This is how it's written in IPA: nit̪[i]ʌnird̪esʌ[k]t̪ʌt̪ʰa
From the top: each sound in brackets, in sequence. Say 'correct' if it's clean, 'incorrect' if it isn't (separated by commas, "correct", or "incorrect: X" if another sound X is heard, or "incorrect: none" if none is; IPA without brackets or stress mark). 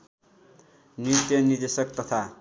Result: incorrect: j, correct